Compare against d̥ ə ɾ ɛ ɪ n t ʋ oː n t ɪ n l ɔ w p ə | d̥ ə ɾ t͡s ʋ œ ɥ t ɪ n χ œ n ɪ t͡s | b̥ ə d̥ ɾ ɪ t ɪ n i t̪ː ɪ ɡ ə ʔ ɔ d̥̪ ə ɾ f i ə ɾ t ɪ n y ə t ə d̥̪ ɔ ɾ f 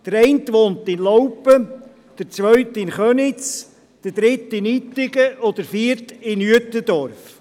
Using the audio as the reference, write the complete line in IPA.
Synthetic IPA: d̥ ə ɾ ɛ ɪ n t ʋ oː n t ɪ n l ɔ w p ə | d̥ ə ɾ t͡s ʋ œ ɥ t ɪ n χ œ n ɪ t͡s | d̥ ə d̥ ɾ ɪ t ɪ n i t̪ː ɪ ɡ ə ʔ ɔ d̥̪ ə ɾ f i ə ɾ t ɪ n y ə t ə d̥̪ ɔ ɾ f